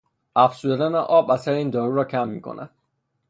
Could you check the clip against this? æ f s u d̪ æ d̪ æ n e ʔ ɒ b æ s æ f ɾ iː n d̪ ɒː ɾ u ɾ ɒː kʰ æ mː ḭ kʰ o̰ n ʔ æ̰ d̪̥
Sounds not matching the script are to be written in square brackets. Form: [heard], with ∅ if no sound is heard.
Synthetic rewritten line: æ f s u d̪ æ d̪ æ n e ʔ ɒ b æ s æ [∅] ɾ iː n d̪ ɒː ɾ u ɾ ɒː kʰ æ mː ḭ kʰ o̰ n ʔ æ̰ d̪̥

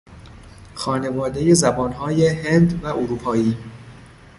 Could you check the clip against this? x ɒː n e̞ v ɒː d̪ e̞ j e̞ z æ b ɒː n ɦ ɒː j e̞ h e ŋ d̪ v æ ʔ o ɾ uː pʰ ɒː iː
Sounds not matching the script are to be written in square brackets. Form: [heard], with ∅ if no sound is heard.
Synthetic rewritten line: x ɒː n e̞ v ɒː d̪ e̞ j e̞ z æ b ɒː n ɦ ɒː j e̞ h e [n] d̪ v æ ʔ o ɾ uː pʰ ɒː iː

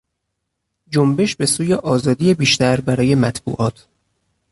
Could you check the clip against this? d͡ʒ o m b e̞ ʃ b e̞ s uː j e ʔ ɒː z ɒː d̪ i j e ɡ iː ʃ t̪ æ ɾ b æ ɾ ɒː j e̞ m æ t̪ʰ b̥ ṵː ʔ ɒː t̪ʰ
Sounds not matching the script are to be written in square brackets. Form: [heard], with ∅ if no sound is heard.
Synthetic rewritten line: d͡ʒ o m b e̞ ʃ b e̞ s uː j e ʔ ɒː z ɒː d̪ i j e [b] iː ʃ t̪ æ ɾ b æ ɾ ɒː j e̞ m æ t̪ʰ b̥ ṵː ʔ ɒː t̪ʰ

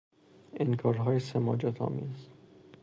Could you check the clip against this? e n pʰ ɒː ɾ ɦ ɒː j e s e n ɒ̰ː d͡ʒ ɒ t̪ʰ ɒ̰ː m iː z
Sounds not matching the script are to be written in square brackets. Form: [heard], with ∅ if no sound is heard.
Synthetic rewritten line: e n [kʰ] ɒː ɾ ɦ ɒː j e s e [m] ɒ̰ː d͡ʒ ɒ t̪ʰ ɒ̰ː m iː z

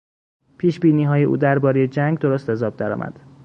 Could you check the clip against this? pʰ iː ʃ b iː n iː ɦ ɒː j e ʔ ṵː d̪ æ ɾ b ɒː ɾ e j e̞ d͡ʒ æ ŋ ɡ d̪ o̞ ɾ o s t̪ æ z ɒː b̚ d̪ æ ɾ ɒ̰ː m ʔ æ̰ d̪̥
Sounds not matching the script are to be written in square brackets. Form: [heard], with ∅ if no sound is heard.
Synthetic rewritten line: pʰ iː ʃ b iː n iː ɦ ɒː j e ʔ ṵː d̪ æ ɾ b ɒː ɾ e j e̞ d͡ʒ æ ŋ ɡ d̪ o̞ ɾ o s t̪ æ z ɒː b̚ d̪ æ ɾ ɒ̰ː m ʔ æ̰ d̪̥

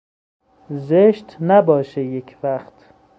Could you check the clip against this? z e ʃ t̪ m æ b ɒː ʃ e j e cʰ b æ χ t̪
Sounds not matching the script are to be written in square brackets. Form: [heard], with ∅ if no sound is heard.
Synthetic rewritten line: z e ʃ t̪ [n] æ b ɒː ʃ e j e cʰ [v] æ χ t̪

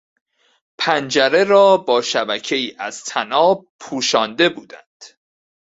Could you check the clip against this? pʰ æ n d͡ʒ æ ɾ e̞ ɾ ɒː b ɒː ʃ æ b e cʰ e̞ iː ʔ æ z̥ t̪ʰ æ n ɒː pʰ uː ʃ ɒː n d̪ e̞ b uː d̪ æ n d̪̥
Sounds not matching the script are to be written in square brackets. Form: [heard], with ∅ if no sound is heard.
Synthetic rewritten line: pʰ æ n d͡ʒ æ ɾ e̞ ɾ ɒː b ɒː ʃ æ b [æ] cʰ e̞ iː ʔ æ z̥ t̪ʰ æ n ɒː pʰ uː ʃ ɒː n d̪ e̞ b uː d̪ æ n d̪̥

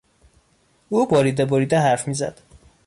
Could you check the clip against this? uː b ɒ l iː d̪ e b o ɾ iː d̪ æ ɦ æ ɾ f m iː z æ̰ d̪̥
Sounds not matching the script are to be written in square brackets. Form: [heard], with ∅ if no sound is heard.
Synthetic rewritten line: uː b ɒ [ɾ] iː d̪ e b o ɾ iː d̪ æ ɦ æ ɾ f m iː z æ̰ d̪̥

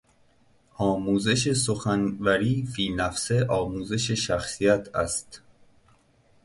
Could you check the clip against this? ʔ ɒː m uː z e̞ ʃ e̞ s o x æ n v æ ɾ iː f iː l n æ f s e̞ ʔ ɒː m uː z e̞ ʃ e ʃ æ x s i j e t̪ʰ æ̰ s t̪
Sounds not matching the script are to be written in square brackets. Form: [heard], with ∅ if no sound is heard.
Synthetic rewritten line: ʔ ɒː m uː z e̞ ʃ e̞ s o x æ n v æ ɾ iː f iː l n æ f s e̞ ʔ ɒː m uː z e̞ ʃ e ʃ æ x s i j [æ] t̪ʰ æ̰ s t̪

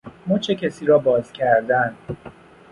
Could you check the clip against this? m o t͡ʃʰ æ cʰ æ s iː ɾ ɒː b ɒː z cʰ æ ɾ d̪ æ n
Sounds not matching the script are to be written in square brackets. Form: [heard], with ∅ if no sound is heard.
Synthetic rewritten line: m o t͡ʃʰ [e] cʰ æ s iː ɾ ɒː b ɒː z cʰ æ ɾ d̪ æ n

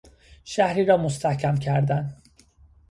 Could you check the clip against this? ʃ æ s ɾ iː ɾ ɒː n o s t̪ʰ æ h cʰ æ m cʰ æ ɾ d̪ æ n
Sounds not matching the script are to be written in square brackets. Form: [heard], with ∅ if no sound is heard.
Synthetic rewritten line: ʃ æ [h] ɾ iː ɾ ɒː [m] o s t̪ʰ æ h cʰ æ m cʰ æ ɾ d̪ æ n

